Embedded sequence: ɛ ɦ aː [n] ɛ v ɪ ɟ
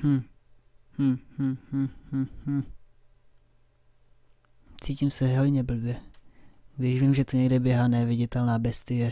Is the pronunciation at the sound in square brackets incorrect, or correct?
correct